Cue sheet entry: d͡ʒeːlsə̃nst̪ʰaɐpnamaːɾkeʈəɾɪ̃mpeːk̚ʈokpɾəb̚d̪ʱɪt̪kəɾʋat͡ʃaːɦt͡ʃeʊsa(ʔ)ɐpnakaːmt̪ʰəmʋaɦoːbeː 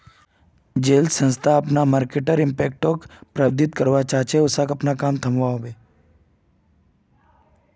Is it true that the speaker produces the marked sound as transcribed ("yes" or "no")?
no